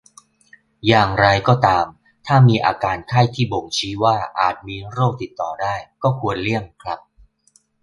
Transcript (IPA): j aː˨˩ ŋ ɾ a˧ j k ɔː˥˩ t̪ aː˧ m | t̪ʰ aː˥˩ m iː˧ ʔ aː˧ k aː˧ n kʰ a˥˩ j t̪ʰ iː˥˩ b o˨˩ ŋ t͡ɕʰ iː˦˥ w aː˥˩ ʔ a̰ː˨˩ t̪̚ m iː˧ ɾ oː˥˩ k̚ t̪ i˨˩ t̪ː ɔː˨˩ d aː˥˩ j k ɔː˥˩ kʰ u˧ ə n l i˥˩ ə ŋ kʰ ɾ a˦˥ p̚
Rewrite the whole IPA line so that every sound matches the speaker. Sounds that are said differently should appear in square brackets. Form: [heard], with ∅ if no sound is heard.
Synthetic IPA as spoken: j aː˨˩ ŋ ɾ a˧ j k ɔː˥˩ t̪ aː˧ m | t̪ʰ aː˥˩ m iː˧ ʔ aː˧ k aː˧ n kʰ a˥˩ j t̪ʰ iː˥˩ b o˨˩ ŋ t͡ɕʰ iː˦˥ w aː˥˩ ʔ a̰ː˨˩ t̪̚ m iː˧ ɾ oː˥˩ k̚ t̪ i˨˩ t̪ː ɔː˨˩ d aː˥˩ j k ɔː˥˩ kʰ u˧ ə n l i˥˩ ə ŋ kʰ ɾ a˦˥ p̚